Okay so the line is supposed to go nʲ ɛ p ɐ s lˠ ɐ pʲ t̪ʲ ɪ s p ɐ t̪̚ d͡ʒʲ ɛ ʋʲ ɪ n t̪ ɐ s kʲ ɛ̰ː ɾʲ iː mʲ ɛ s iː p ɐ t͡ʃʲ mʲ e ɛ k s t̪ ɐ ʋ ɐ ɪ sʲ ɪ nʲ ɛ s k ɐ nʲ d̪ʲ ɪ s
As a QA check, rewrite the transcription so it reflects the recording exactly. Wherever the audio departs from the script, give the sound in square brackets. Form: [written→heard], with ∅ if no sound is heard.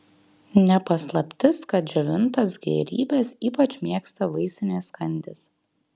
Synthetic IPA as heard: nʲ ɛ p ɐ s lˠ ɐ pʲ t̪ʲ ɪ s [p→k] ɐ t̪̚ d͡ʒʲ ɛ ʋʲ ɪ n t̪ ɐ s [kʲ→ɡʲ] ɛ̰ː ɾʲ iː [mʲ→bʲ] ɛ s iː p ɐ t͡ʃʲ mʲ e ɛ k s t̪ ɐ ʋ ɐ ɪ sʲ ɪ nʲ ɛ s k ɐ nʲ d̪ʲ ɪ s

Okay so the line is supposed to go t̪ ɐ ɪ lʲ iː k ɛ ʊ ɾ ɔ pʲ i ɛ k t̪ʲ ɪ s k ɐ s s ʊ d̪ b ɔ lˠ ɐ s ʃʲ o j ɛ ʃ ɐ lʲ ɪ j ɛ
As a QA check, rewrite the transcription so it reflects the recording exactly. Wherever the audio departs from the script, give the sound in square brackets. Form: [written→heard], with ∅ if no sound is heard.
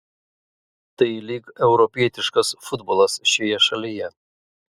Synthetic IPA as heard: t̪ ɐ ɪ lʲ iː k ɛ ʊ ɾ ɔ pʲ i ɛ [k→∅] t̪ʲ ɪ [s→ʃ] k ɐ s [s→f] ʊ d̪ b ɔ lˠ ɐ s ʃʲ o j ɛ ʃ ɐ lʲ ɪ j ɛ

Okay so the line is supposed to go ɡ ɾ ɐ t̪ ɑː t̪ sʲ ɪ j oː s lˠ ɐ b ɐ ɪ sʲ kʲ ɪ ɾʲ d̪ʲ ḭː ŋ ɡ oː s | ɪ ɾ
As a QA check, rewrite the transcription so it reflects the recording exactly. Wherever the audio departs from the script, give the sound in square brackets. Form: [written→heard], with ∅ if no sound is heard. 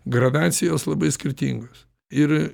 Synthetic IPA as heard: ɡ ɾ ɐ [t̪→d̪] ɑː t̪ sʲ ɪ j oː s lˠ ɐ b ɐ ɪ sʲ kʲ ɪ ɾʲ [d̪ʲ→t̪ʲ] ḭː ŋ ɡ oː s | ɪ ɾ

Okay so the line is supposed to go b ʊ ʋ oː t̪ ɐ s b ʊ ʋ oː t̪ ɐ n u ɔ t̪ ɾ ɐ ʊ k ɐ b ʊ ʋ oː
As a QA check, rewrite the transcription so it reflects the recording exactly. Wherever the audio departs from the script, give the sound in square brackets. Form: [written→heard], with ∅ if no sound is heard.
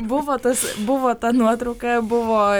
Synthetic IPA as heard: b ʊ ʋ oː t̪ ɐ s b ʊ ʋ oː t̪ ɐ n u ɔ t̪ ɾ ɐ ʊ k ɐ b ʊ ʋ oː

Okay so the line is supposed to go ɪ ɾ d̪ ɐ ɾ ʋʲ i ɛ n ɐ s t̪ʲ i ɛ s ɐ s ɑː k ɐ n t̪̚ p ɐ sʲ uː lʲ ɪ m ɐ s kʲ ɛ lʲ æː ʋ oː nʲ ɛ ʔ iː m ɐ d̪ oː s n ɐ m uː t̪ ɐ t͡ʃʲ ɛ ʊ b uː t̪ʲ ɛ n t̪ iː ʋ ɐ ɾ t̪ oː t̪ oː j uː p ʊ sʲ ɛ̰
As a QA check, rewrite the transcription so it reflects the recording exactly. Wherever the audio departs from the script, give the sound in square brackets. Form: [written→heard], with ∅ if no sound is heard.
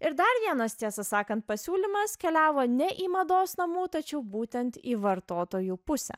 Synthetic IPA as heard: ɪ ɾ d̪ ɐ ɾ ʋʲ i ɛ n ɐ s t̪ʲ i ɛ s ɐ s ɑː k ɐ n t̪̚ p ɐ sʲ uː lʲ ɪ m ɐ s kʲ ɛ lʲ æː ʋ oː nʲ ɛ ʔ iː m ɐ d̪ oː s n ɐ m uː t̪ ɐ t͡ʃʲ ɛ ʊ b uː t̪ʲ ɛ n t̪ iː ʋ ɐ ɾ t̪ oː t̪ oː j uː p ʊ sʲ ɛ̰

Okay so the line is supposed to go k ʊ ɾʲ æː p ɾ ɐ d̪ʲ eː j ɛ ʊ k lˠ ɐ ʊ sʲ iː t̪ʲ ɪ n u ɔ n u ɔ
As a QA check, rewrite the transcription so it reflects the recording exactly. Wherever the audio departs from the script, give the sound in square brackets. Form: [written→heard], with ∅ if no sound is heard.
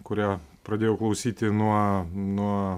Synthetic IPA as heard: k ʊ ɾʲ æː p ɾ ɐ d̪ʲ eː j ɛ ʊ k lˠ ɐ ʊ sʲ iː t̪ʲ ɪ n u ɔ n u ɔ

